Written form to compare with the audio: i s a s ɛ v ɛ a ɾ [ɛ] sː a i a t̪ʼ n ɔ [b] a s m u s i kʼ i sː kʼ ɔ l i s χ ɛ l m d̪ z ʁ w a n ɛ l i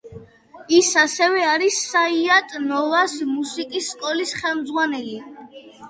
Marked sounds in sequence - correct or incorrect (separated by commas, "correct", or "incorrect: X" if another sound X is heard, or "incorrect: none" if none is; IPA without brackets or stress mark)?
incorrect: i, incorrect: v